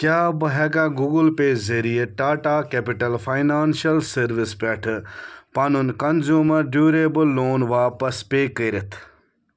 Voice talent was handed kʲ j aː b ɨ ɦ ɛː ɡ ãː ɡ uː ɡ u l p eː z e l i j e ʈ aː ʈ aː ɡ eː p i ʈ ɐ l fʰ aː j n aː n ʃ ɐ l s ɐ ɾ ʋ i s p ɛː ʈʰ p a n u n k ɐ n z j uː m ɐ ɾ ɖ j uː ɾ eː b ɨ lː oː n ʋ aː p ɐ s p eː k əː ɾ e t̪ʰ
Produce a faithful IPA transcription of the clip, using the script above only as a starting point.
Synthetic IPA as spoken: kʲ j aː b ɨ ɦ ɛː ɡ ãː ɡ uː ɡ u l p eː z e ɾ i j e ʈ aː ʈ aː k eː p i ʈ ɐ l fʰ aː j n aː n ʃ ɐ l s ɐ ɾ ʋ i s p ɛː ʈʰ p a n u n k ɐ n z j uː m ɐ ɾ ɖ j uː ɾ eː b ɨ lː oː n ʋ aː p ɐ s p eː k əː ɾ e t̪ʰ